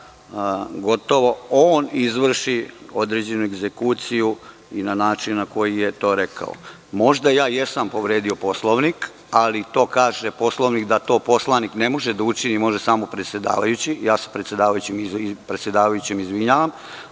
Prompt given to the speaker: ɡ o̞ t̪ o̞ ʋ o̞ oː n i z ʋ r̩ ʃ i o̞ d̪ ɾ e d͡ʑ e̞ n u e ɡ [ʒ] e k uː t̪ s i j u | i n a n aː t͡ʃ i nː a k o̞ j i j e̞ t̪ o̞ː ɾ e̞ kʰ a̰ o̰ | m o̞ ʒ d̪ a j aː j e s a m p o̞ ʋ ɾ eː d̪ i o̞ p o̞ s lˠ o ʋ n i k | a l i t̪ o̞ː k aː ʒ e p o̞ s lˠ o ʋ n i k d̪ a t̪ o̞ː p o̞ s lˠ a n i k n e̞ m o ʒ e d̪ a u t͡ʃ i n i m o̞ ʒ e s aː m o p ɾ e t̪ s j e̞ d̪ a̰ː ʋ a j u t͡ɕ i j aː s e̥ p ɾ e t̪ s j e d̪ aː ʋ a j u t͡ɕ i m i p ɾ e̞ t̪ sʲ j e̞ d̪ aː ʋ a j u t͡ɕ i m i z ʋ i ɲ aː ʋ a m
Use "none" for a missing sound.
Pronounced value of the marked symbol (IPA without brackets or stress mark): z